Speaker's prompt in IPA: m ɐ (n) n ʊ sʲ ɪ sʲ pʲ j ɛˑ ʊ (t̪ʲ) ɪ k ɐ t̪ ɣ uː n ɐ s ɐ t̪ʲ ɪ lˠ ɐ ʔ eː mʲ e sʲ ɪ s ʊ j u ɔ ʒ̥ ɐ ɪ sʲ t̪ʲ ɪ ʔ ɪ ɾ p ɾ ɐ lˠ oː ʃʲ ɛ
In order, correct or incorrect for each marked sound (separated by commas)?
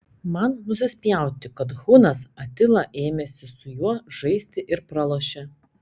correct, correct